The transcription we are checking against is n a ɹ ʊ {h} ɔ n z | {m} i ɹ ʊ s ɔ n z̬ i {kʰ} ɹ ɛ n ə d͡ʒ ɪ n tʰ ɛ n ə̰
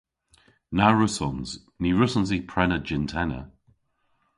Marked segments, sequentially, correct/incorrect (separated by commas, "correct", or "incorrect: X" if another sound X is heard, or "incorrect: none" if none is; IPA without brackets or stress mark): incorrect: s, incorrect: n, incorrect: pʰ